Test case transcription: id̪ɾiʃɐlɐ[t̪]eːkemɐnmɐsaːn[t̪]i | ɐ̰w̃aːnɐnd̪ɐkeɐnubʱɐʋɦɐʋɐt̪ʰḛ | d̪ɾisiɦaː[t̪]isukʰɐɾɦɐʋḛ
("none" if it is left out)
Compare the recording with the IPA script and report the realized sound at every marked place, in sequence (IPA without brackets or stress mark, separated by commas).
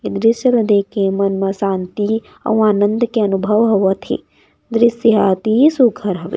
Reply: d̪, t̪, t̪